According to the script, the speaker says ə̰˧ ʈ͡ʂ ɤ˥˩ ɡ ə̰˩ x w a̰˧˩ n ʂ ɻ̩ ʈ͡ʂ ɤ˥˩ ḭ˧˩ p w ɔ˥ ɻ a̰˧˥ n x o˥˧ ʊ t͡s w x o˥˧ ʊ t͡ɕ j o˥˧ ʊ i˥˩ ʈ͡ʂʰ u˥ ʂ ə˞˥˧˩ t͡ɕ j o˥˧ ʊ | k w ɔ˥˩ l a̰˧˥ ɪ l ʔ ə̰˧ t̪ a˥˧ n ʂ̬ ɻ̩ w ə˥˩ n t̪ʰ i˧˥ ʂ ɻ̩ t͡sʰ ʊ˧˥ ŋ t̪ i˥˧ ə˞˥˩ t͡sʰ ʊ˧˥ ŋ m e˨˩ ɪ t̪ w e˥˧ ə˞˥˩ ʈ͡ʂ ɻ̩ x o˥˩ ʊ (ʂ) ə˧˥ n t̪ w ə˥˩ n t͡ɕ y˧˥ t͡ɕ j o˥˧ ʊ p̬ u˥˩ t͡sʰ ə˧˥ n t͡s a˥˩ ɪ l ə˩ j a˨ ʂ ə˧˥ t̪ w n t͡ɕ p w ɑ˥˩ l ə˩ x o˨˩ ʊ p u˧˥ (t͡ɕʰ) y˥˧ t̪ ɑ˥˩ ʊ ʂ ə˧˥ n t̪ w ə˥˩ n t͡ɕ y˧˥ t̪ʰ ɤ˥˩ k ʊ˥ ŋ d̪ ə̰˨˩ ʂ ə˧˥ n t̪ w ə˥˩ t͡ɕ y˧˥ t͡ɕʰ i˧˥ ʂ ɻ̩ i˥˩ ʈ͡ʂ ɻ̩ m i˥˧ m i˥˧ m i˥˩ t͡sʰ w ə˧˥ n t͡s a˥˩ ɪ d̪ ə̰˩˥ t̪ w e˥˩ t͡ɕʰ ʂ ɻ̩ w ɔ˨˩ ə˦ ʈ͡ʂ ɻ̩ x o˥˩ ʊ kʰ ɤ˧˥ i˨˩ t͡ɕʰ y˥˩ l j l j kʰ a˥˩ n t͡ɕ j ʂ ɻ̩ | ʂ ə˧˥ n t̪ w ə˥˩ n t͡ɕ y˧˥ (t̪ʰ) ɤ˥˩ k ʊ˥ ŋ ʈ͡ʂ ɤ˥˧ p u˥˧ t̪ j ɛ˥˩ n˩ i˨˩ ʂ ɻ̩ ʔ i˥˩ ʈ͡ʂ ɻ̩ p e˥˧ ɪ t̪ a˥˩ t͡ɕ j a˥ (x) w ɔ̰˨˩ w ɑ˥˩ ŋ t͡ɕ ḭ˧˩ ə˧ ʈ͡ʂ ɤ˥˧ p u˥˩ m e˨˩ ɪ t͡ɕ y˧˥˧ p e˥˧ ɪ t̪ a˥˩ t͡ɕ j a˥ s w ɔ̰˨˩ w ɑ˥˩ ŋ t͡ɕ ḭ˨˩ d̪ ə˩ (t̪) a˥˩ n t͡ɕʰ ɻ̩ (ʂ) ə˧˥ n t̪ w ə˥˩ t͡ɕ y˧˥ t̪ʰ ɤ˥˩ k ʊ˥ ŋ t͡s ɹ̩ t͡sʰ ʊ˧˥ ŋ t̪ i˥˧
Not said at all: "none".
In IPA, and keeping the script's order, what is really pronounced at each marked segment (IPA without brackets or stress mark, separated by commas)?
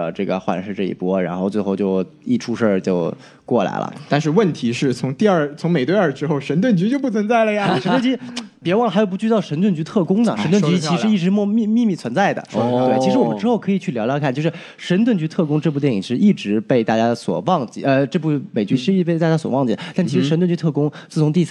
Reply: ʂ, t͡ɕ, t̪ʰ, s, t̪, ʂ